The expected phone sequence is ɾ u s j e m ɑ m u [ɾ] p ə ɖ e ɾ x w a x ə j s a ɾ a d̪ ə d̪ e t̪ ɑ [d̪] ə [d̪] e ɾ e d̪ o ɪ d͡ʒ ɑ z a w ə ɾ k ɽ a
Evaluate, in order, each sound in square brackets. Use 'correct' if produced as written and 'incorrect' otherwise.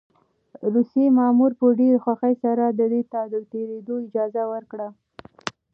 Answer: correct, correct, incorrect

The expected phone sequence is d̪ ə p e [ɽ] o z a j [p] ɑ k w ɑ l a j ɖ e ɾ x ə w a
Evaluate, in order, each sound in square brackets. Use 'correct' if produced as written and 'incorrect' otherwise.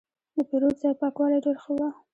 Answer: incorrect, correct

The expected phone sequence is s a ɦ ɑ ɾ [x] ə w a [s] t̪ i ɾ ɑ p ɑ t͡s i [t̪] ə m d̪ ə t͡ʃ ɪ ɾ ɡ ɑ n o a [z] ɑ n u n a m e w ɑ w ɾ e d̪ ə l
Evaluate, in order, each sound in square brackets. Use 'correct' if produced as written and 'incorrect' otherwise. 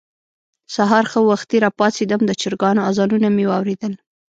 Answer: correct, incorrect, incorrect, correct

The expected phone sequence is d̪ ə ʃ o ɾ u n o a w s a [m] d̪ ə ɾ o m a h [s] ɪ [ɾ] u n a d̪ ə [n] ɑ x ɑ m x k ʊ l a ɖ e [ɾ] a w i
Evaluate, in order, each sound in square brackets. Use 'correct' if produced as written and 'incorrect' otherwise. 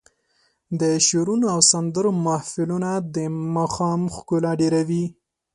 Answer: incorrect, incorrect, incorrect, incorrect, correct

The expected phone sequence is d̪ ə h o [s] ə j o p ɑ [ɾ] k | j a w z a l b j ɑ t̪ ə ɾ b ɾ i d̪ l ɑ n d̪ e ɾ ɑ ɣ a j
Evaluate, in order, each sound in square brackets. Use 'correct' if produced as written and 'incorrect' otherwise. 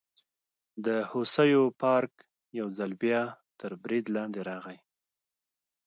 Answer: correct, correct

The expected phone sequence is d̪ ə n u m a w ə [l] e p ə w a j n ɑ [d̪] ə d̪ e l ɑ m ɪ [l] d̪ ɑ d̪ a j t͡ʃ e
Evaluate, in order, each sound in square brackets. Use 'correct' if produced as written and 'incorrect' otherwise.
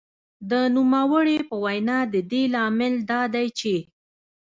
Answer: incorrect, correct, correct

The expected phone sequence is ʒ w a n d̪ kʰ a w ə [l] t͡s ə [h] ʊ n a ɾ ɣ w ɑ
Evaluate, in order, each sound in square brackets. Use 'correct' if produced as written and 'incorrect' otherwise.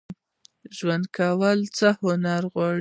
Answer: correct, correct

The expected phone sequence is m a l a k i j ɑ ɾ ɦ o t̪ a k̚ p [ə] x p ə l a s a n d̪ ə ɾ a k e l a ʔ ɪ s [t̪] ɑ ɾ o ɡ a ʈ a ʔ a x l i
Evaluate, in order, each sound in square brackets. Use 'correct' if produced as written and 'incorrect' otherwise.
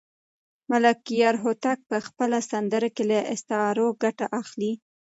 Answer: correct, correct

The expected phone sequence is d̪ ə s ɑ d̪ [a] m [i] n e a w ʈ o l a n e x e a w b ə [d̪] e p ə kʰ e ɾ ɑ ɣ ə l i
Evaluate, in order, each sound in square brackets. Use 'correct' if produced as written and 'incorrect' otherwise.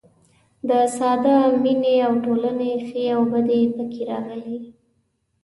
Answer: correct, correct, correct

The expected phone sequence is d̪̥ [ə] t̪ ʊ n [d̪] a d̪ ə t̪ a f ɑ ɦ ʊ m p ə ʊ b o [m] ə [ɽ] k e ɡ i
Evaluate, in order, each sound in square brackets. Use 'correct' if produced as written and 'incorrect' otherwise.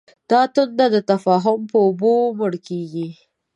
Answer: incorrect, correct, correct, correct

